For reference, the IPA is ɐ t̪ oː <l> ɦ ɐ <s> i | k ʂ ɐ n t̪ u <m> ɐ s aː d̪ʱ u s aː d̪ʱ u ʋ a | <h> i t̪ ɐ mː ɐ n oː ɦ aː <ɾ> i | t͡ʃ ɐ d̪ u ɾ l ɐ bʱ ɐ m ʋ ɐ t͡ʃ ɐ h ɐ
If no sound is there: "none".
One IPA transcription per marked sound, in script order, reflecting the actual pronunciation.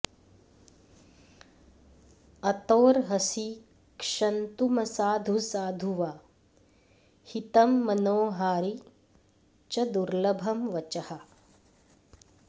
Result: ɾ, s, m, h, ɾ

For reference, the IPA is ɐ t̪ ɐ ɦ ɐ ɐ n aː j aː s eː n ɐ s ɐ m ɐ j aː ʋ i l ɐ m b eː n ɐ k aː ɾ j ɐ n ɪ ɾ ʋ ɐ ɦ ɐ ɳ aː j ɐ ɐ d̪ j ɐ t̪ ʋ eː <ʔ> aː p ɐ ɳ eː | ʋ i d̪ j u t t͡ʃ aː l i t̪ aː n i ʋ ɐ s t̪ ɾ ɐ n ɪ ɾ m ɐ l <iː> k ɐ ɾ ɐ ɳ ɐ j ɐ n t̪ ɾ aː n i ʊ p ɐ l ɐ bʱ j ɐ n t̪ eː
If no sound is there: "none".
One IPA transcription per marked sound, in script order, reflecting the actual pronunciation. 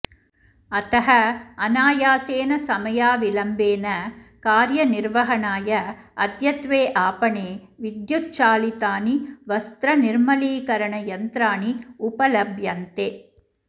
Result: ʔ, iː

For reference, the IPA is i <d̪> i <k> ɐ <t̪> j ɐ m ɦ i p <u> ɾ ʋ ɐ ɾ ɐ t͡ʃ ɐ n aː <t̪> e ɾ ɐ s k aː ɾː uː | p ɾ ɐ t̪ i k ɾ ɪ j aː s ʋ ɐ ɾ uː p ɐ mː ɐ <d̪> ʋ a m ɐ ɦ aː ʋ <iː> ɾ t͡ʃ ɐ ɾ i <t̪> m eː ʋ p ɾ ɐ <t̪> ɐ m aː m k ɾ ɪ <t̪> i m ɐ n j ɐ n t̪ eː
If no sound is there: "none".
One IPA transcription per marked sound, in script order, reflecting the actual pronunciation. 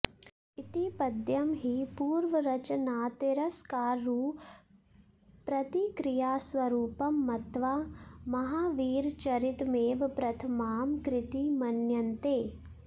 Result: t̪, p, d̪, uː, t̪, t̪, iː, t̪, t̪ʰ, t̪

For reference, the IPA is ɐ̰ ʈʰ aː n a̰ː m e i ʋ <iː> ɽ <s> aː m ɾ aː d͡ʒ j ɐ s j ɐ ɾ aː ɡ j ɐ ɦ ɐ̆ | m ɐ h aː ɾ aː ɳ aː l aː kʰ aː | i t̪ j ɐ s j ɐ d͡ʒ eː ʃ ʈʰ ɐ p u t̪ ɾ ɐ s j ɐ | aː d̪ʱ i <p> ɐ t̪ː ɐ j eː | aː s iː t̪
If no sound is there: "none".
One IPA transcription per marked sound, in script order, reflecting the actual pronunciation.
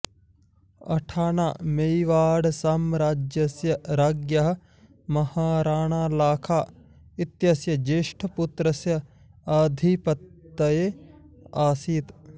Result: aː, s, p

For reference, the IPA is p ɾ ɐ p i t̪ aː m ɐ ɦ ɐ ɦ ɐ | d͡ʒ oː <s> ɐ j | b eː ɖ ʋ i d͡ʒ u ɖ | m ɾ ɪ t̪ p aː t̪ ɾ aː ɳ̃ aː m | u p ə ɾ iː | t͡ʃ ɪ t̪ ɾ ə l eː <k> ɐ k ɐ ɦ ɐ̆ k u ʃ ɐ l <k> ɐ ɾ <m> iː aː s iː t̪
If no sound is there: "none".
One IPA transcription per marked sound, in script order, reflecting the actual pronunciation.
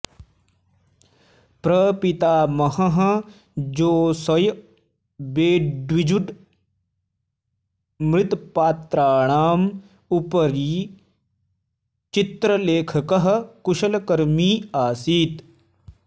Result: s, kʰ, k, m

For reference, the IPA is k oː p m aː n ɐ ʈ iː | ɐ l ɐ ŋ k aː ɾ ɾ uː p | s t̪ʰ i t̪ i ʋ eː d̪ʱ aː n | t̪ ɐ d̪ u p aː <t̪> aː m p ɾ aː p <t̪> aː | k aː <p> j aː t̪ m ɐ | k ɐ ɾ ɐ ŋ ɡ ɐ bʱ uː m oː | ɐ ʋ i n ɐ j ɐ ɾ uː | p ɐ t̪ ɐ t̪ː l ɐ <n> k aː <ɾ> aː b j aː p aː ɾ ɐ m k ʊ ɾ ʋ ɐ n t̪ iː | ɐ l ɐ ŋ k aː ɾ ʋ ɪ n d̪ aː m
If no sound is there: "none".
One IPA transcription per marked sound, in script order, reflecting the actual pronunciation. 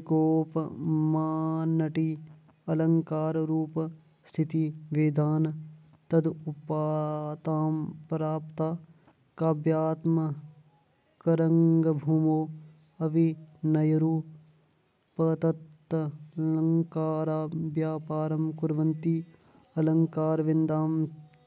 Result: t̪, t̪, b, ŋ, ɾ

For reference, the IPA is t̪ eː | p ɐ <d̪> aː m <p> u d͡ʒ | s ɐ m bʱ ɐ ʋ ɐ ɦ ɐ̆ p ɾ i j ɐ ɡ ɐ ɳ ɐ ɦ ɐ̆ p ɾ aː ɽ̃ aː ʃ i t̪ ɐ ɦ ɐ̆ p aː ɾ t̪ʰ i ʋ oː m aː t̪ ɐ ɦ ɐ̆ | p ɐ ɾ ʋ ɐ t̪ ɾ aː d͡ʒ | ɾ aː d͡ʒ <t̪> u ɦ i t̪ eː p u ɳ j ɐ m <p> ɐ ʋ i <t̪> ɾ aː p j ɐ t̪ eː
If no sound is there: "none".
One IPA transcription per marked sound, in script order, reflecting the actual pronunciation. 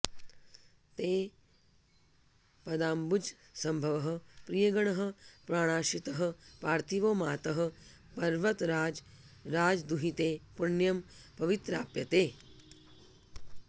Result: d̪, b, d̪, p, t̪

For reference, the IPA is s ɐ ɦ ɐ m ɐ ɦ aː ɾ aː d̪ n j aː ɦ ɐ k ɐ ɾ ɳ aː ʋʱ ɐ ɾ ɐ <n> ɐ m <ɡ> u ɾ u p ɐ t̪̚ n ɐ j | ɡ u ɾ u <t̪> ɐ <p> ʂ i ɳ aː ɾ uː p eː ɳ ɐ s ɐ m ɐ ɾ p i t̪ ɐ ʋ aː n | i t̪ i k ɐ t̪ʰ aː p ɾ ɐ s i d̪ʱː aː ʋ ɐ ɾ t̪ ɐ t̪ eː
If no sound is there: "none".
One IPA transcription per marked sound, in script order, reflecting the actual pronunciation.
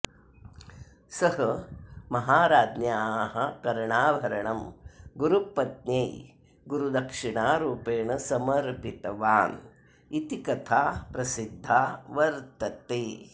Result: ɳ, ɡ, d̪, k

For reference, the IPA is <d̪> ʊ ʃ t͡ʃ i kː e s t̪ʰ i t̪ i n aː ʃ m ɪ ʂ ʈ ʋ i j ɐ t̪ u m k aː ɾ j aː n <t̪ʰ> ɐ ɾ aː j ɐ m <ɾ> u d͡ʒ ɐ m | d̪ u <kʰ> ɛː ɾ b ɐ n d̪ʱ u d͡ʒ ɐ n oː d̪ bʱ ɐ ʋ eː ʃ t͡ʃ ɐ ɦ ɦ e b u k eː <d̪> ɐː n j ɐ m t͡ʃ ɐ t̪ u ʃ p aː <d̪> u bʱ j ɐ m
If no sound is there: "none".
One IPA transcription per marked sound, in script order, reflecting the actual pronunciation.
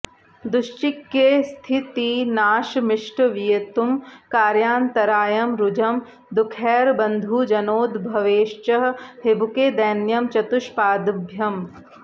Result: d̪, t̪, ɾ, kʰ, d̪, d̪

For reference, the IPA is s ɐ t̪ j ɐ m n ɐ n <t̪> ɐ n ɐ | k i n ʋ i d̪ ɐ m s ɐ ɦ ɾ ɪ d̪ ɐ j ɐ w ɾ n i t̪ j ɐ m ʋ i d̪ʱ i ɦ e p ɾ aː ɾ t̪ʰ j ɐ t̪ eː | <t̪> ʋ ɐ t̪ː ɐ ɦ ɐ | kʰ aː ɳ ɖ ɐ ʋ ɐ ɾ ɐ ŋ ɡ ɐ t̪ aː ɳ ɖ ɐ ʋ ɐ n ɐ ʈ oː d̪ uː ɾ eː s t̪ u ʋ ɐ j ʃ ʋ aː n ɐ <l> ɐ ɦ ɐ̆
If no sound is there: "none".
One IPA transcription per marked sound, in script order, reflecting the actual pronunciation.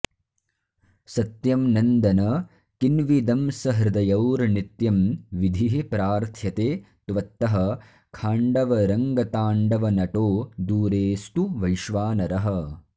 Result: d̪, t̪, ɾ

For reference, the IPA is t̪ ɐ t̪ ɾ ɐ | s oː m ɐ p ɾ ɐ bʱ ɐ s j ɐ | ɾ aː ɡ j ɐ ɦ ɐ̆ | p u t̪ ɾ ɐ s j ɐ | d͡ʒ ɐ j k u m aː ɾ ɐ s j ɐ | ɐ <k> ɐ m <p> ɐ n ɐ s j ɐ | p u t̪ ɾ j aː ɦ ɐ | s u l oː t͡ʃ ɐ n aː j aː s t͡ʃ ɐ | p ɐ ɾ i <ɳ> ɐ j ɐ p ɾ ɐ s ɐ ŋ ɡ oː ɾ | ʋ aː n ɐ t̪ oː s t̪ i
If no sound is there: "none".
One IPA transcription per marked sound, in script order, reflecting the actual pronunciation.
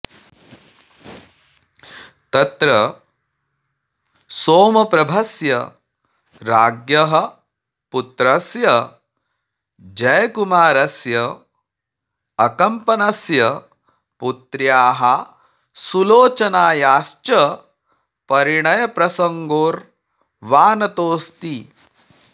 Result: k, p, ɳ

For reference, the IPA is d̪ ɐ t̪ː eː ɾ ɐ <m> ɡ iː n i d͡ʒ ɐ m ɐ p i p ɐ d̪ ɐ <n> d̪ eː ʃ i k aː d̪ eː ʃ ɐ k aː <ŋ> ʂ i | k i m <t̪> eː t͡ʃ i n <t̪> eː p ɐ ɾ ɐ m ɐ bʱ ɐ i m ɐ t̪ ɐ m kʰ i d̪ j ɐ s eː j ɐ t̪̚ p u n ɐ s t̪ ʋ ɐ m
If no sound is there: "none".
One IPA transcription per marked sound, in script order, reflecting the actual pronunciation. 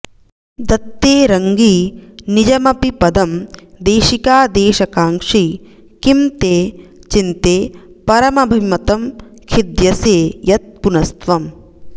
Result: ŋ, m, ŋ, t̪, t̪

